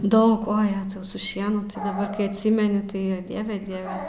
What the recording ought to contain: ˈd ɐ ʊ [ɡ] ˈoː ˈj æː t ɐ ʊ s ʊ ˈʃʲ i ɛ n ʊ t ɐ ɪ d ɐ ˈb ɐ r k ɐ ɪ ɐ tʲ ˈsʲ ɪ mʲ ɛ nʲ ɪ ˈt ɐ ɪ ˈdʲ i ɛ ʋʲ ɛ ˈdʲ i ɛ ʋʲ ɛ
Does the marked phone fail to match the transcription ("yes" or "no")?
yes